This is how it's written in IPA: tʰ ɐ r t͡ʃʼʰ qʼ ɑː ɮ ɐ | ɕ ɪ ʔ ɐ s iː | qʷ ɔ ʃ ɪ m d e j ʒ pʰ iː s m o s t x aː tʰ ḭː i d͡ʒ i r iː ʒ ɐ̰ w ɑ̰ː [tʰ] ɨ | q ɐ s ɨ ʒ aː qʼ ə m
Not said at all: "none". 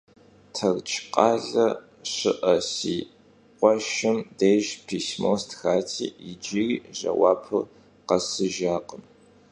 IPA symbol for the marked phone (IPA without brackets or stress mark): pʰ